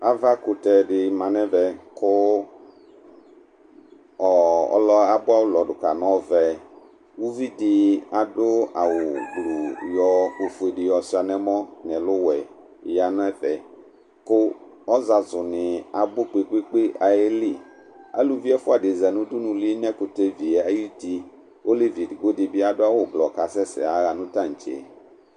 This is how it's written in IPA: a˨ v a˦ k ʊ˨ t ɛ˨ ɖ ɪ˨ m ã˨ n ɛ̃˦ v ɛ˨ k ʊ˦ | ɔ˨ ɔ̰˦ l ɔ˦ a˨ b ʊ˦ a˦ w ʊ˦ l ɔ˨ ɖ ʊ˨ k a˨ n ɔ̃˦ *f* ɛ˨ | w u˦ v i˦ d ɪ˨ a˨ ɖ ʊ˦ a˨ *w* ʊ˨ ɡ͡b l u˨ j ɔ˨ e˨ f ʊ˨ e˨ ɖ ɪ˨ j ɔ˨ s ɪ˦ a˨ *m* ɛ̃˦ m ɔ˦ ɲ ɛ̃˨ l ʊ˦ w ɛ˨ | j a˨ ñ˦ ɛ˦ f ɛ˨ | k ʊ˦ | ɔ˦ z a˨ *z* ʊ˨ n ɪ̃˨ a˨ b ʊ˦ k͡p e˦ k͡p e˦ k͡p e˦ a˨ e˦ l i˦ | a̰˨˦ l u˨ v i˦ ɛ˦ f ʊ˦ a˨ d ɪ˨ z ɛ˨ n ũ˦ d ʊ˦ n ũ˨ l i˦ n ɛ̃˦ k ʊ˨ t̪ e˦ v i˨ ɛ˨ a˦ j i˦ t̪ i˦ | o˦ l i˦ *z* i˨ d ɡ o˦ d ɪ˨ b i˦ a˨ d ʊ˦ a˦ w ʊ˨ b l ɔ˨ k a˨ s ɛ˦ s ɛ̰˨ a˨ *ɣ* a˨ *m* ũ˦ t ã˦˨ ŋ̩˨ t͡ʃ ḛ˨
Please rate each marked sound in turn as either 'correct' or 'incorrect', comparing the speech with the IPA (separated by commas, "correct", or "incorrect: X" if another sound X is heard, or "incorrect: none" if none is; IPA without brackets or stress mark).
incorrect: v, correct, incorrect: n, correct, incorrect: v, correct, incorrect: n